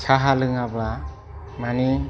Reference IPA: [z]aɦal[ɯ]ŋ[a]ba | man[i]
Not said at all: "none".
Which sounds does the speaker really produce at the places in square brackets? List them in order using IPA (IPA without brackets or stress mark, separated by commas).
s, ɯ, a, i